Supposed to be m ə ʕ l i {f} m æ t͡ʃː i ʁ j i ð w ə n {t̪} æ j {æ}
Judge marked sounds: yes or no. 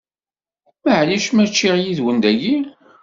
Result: no, no, no

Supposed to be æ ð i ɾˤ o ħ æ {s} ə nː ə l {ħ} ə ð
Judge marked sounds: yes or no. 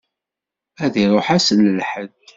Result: yes, yes

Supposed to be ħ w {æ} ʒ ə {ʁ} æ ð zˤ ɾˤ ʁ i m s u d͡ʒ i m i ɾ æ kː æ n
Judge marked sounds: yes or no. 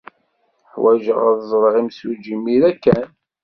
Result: yes, yes

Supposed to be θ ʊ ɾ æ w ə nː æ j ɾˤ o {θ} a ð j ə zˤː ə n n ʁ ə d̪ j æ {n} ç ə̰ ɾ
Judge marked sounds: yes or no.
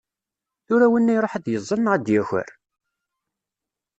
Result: no, no

